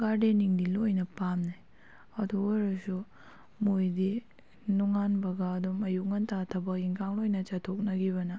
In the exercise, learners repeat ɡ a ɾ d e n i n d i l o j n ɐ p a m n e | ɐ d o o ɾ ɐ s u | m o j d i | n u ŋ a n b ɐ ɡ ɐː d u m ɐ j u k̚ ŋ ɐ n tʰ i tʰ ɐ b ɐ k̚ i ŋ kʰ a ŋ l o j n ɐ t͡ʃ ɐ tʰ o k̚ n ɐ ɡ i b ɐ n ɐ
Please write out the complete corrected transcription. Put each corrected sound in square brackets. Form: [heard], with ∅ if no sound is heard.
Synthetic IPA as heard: ɡ a ɾ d e n i [ŋ] d i l o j n ɐ p a m n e | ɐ d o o ɾ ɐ s u | m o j d i | n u ŋ a n b ɐ ɡ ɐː d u m ɐ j u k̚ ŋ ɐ n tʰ [a] tʰ ɐ b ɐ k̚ i ŋ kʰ a ŋ l o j n ɐ t͡ʃ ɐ tʰ o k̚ n ɐ ɡ i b ɐ n ɐ